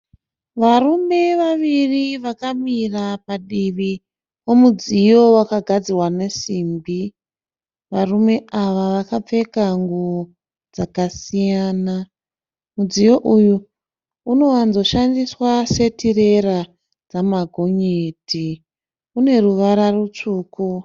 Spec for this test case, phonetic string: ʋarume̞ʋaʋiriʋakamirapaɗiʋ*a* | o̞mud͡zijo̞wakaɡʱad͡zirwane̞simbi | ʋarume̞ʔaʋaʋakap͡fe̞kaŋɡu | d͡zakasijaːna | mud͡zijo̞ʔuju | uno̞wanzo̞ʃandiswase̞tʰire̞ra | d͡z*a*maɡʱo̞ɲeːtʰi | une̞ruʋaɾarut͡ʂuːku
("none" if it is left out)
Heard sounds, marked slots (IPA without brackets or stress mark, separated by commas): i, a